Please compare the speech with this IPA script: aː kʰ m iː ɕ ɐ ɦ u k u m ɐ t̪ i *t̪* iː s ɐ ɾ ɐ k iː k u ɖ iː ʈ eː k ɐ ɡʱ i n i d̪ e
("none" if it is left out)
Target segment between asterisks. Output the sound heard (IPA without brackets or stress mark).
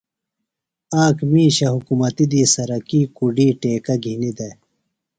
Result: d̪